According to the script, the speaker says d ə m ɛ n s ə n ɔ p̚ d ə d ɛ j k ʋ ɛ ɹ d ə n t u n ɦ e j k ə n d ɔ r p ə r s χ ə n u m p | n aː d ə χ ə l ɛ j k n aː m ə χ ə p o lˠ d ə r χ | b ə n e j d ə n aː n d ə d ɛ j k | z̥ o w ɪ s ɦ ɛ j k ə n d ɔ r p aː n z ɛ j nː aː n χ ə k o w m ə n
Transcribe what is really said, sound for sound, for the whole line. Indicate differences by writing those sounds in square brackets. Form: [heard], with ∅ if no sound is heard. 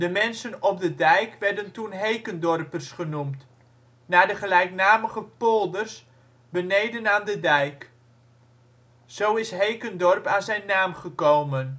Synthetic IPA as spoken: d ə m ɛ n s ə n ɔ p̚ d ə d ɛ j k ʋ ɛ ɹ d ə n t u n ɦ e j k ə n d ɔ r p ə r s χ ə n u m [t] | n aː d ə χ ə l ɛ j k n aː m ə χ ə p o lˠ d ə r [s] | b ə n e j d ə n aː n d ə d ɛ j k | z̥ o w ɪ s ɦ [e] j k ə n d ɔ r p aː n z ɛ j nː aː [m] χ ə k o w m ə n